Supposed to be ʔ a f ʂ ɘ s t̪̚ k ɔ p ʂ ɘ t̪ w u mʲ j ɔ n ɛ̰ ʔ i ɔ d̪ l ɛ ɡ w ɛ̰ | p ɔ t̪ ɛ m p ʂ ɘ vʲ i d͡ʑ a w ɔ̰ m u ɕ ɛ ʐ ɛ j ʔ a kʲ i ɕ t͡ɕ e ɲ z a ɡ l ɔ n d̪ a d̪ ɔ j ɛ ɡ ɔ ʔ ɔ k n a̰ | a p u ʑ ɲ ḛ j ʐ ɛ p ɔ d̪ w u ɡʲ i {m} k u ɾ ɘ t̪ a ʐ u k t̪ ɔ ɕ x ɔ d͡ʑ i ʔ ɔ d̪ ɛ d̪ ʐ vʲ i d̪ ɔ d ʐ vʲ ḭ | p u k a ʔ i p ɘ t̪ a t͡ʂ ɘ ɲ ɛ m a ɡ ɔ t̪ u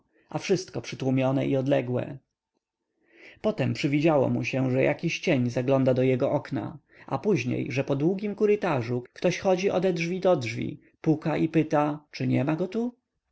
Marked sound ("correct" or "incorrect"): correct